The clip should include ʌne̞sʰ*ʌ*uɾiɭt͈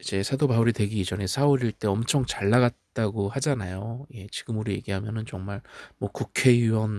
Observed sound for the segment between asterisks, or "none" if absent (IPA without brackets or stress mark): a